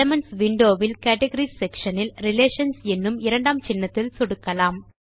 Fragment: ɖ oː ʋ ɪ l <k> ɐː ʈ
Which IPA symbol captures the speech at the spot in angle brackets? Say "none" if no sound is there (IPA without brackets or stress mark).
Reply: k